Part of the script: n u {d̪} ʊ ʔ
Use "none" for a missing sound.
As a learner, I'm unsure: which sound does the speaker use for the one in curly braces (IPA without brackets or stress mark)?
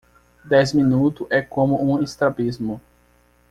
t̪